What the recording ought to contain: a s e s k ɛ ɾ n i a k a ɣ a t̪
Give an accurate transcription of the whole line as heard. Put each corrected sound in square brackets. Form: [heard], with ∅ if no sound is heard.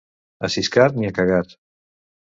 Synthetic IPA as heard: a s [i] s k [a] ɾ n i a k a ɣ a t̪